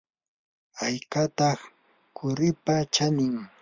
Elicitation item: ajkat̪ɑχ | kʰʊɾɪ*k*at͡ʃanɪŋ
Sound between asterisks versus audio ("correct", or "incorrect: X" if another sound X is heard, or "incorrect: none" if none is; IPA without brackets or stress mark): incorrect: p